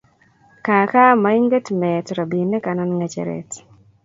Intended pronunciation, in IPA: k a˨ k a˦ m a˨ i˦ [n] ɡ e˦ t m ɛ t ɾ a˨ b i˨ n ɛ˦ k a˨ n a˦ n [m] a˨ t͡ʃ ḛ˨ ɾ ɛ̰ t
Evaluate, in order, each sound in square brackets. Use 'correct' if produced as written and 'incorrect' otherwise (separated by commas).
incorrect, incorrect